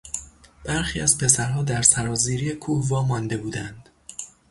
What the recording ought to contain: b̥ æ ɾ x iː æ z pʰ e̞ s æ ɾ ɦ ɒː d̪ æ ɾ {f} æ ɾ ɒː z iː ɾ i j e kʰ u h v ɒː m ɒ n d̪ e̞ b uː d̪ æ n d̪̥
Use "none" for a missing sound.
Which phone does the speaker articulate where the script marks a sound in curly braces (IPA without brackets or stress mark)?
s